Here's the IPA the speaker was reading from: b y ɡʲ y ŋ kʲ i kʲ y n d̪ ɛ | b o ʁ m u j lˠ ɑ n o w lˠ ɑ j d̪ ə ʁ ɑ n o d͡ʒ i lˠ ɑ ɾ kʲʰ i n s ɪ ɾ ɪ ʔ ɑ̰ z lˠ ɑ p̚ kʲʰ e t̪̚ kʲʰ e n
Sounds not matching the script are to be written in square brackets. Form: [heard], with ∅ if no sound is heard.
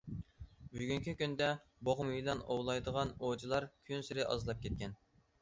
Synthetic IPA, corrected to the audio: b y ɡʲ y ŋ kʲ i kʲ y n d̪ ɛ | b o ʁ m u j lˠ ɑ n o w lˠ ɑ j d̪ ə ʁ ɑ n o d͡ʒ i lˠ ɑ ɾ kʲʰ [y] n s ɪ ɾ ɪ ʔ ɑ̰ z lˠ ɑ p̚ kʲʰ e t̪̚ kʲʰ [ɛ] n

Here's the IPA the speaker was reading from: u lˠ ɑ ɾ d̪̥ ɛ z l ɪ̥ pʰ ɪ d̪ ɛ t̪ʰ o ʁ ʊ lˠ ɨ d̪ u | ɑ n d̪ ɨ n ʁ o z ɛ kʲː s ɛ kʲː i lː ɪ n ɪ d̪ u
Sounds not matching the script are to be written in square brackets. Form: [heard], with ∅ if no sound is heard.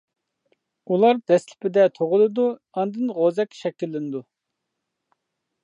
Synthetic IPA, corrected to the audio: u lˠ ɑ ɾ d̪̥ ɛ [s] l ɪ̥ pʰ ɪ d̪ ɛ t̪ʰ o ʁ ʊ lˠ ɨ d̪ u | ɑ n d̪ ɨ n ʁ o z ɛ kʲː [ʃ] ɛ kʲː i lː ɪ n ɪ d̪ u

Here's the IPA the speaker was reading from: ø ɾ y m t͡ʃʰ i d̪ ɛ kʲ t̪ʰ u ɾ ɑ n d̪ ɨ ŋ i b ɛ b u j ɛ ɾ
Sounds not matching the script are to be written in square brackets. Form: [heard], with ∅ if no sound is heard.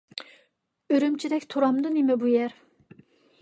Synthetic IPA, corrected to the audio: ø ɾ y m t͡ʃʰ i d̪ ɛ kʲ t̪ʰ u ɾ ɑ [m] d̪ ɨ [n] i [m] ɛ b u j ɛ ɾ

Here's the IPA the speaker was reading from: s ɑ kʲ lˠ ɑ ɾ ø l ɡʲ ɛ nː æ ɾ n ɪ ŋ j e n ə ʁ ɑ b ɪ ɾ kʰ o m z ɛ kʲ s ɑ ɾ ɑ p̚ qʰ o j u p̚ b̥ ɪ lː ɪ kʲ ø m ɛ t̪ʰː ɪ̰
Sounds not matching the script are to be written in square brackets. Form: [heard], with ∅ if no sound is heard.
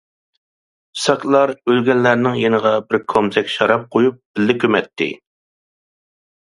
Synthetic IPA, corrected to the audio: s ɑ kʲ lˠ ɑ ɾ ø l ɡʲ ɛ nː æ ɾ n ɪ ŋ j e n ə ʁ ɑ b ɪ ɾ kʰ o m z ɛ kʲ [ʃ] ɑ ɾ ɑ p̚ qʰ o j u p̚ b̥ ɪ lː ɪ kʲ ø m ɛ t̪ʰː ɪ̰

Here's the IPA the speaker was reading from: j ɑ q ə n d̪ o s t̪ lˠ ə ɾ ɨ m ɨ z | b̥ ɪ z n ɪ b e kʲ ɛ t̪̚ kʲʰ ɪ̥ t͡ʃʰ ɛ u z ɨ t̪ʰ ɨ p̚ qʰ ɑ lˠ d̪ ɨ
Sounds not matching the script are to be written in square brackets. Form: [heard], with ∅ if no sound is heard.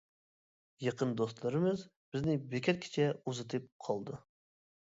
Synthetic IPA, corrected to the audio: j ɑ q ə n d̪ o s t̪ lˠ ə ɾ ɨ m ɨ z | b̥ ɪ z n ɪ b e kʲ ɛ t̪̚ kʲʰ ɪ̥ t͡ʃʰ ɛ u z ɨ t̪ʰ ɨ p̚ qʰ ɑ lˠ d̪ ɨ

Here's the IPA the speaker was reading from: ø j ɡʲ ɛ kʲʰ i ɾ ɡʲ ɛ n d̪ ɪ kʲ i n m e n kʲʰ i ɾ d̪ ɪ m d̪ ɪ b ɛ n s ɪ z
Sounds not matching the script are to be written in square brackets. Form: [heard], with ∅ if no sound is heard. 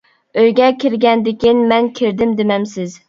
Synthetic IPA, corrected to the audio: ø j ɡʲ ɛ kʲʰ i ɾ ɡʲ ɛ n d̪ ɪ kʲ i n m [ɛ] n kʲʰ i ɾ d̪ ɪ m d̪ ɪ [m] ɛ [m] s ɪ z

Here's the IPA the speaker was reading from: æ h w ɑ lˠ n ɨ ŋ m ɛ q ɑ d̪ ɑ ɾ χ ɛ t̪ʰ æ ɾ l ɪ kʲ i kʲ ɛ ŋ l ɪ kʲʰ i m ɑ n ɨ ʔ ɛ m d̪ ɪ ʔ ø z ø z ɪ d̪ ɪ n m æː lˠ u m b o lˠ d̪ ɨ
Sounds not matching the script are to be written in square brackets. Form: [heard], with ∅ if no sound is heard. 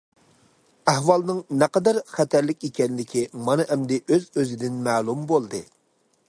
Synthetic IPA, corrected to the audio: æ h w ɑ lˠ n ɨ ŋ [n] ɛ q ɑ d̪ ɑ ɾ χ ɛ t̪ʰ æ ɾ l ɪ kʲ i kʲ ɛ [n] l ɪ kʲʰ i m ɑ n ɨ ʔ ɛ m d̪ ɪ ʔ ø z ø z ɪ d̪ ɪ n m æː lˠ u m b o lˠ d̪ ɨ

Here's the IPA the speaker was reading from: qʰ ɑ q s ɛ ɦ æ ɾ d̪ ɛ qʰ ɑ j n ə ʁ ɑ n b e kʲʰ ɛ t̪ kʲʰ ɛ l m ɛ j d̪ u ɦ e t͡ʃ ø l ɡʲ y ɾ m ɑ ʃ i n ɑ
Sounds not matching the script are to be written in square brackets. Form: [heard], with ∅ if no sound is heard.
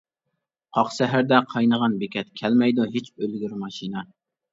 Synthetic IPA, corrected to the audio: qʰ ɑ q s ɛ ɦ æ ɾ d̪ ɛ qʰ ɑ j n ə ʁ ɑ n b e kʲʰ ɛ t̪ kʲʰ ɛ l m ɛ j d̪ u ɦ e t͡ʃ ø l ɡʲ y ɾ m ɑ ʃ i n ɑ

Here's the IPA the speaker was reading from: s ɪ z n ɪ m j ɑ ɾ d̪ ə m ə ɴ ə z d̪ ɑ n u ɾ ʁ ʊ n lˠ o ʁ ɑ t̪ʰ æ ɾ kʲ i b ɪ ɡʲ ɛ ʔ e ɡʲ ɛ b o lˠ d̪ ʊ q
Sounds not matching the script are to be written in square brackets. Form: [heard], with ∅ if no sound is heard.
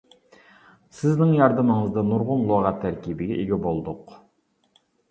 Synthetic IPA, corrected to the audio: s ɪ z n ɪ [ŋ] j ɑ ɾ d̪ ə m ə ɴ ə z d̪ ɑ n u ɾ ʁ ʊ n lˠ o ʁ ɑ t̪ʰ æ ɾ kʲ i b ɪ ɡʲ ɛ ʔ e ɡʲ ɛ b o lˠ d̪ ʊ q

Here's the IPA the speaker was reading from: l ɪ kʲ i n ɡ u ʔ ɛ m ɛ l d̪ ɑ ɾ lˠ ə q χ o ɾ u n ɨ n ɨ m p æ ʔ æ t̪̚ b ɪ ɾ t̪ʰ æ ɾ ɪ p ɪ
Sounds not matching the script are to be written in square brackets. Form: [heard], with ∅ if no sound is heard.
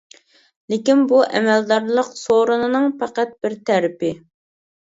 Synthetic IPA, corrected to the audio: l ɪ kʲ i n [b] u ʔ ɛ m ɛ l d̪ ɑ ɾ lˠ ə q [s] o ɾ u n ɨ n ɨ [ŋ] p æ [q] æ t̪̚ b ɪ ɾ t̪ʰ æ ɾ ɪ p ɪ

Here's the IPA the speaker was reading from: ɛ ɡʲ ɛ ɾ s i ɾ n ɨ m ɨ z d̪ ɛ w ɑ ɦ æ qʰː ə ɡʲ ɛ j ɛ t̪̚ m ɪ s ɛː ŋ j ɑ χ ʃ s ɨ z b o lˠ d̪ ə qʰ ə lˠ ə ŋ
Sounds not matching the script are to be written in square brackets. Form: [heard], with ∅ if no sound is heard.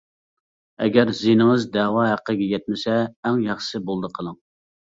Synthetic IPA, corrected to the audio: ɛ ɡʲ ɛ ɾ [z] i [∅] n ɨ [ŋ] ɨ z d̪ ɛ w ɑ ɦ æ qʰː ə ɡʲ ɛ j ɛ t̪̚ m ɪ s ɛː ŋ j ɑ χ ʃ s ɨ [∅] b o lˠ d̪ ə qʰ ə lˠ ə ŋ

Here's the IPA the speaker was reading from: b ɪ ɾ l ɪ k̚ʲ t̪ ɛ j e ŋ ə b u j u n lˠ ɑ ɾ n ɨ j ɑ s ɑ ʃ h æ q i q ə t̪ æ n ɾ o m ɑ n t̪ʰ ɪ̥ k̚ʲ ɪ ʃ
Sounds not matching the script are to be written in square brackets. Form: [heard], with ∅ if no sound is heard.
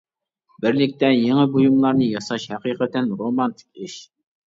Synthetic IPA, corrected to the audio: b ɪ ɾ l ɪ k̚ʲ t̪ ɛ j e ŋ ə b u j u [m] lˠ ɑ ɾ n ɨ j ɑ s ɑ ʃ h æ q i q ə t̪ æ n ɾ o m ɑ n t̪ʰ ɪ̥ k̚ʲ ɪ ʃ

